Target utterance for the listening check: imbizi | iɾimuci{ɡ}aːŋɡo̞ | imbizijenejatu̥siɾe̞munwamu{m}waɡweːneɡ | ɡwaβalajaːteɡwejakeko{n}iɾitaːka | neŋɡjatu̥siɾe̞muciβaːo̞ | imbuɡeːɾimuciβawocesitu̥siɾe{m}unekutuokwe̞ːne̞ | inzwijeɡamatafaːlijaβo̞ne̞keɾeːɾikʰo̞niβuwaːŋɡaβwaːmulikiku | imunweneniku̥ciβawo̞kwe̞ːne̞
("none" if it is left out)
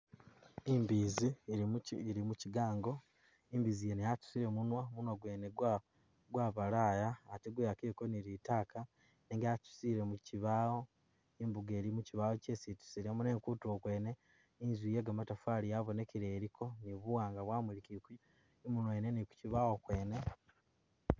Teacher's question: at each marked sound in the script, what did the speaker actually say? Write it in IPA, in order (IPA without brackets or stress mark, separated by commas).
ɡ, n, n, m